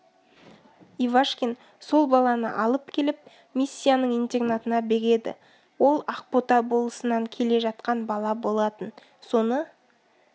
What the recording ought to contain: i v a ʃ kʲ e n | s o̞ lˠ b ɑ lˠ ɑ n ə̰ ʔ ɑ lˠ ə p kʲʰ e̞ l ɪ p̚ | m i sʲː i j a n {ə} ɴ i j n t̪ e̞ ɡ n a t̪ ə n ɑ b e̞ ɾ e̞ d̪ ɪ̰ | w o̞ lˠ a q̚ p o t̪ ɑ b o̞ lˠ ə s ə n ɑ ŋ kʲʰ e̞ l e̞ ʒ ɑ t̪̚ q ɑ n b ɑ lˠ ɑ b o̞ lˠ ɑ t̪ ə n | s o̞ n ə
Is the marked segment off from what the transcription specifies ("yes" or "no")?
no